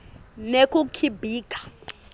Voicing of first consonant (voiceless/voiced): voiced